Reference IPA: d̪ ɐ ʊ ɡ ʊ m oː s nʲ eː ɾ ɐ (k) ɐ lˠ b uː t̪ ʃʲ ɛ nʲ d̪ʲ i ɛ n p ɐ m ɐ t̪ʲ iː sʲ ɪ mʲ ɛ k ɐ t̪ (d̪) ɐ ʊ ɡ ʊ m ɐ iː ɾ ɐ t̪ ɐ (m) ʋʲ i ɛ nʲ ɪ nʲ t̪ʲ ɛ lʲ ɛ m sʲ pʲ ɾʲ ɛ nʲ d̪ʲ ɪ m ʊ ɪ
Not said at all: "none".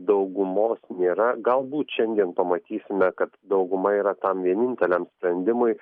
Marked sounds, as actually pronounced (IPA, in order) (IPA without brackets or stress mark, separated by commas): ɡ, d̪, m